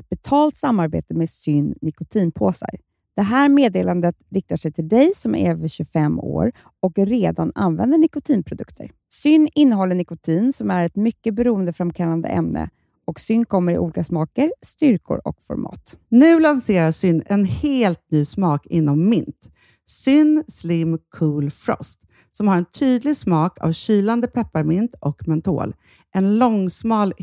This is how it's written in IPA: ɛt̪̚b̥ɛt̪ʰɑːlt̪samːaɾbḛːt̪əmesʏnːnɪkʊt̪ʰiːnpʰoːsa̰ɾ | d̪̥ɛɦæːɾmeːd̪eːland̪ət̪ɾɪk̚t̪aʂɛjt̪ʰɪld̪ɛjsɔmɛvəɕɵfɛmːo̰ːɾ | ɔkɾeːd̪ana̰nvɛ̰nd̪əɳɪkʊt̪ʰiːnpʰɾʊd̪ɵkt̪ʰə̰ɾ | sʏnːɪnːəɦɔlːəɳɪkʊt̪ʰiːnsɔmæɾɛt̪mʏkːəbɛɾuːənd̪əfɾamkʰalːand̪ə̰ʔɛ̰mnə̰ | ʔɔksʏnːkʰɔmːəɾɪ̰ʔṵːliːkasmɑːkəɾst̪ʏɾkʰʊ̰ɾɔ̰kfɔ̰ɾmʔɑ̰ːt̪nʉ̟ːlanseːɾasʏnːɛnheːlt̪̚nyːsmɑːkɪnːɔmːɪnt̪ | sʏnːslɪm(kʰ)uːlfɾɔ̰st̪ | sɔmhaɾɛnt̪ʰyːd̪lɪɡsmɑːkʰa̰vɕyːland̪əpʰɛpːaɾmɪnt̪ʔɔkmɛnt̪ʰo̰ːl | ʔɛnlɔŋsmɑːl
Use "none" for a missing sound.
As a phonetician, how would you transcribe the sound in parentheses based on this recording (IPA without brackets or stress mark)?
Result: kʰ